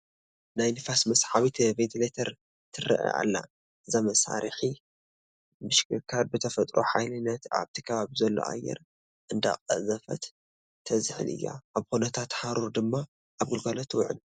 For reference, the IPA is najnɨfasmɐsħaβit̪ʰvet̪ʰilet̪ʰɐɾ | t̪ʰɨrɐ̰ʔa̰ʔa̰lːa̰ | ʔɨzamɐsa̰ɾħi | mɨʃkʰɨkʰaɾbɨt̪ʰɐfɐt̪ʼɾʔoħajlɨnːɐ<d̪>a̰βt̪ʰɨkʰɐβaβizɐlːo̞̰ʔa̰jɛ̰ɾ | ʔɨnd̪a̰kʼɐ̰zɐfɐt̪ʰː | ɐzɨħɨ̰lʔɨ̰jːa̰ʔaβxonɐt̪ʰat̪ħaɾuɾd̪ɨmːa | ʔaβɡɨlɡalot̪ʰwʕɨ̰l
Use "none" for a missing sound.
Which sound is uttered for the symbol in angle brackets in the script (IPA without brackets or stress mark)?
t̪